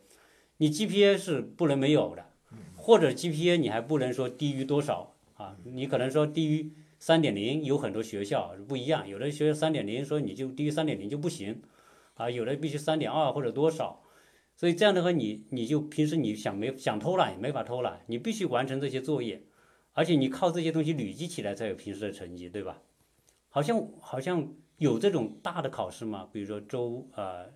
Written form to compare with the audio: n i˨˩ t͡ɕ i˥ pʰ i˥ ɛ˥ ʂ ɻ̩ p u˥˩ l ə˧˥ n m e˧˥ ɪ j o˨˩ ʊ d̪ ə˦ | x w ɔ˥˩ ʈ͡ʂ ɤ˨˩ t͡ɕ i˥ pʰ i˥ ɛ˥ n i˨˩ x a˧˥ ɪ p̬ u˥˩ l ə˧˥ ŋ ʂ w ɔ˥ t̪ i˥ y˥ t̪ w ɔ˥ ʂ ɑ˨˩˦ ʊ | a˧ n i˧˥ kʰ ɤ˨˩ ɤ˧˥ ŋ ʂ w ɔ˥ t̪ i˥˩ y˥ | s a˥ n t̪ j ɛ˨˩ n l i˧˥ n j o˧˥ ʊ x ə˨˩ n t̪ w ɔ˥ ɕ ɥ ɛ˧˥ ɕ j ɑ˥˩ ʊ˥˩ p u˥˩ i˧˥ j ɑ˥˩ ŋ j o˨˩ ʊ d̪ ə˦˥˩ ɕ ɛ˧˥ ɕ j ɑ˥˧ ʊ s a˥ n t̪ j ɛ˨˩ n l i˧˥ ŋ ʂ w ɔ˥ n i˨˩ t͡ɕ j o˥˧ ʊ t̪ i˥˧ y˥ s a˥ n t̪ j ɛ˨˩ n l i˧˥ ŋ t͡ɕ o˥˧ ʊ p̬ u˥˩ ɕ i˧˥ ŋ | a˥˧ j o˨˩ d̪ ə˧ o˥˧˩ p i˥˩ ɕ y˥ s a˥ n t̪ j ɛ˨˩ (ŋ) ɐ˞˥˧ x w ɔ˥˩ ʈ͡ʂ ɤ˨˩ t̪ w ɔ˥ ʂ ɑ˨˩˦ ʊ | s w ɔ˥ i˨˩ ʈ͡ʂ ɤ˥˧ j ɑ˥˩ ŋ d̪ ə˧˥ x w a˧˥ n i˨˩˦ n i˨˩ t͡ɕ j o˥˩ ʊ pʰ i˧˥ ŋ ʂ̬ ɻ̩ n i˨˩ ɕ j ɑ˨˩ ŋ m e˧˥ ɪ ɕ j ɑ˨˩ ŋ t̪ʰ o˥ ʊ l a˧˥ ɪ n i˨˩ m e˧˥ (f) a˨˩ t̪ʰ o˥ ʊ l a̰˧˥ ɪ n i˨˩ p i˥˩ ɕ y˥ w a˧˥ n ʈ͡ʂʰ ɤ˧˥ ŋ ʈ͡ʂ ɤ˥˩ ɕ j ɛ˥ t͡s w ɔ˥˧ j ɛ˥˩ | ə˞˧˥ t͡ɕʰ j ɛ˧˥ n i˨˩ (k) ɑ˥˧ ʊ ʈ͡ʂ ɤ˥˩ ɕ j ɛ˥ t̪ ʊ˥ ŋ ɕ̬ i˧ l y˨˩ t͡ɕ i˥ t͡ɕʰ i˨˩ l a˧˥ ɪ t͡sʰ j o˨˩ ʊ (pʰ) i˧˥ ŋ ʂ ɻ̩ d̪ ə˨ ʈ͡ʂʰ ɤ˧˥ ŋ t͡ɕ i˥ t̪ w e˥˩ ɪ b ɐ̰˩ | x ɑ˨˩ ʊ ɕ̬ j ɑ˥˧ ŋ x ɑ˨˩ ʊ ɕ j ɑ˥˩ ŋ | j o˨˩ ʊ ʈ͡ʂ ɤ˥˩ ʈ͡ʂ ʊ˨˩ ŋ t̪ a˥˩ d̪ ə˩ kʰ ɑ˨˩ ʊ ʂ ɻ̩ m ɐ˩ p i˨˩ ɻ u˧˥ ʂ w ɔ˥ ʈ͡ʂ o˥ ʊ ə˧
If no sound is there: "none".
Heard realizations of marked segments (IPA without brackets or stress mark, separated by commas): n, f, kʰ, pʰ